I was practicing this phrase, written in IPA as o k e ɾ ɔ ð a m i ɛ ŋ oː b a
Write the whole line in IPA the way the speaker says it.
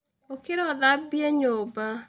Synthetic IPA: o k e ɾ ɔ ð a b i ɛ ɲ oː b a